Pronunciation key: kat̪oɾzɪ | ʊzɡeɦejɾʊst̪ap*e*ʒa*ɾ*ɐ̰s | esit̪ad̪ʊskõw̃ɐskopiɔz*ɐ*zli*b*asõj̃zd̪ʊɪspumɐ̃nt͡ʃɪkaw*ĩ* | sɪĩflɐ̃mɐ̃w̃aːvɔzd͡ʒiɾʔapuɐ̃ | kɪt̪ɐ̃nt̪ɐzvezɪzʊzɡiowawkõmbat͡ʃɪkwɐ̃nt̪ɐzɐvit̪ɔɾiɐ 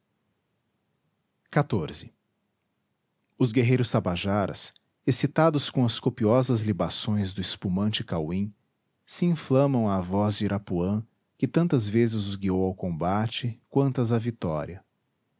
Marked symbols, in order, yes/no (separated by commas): no, yes, yes, yes, yes